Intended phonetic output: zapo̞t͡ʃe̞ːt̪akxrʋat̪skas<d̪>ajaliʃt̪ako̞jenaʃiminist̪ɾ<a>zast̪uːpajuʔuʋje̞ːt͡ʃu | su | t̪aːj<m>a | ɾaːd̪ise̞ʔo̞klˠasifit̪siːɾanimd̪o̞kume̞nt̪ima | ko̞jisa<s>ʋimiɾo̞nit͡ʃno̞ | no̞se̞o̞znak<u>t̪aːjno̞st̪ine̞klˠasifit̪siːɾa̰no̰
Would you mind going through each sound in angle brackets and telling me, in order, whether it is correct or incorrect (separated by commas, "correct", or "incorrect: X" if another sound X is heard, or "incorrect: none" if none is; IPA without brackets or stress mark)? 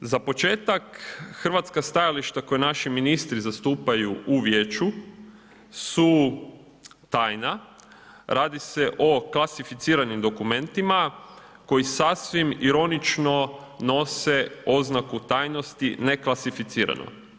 incorrect: t̪, incorrect: i, incorrect: n, correct, correct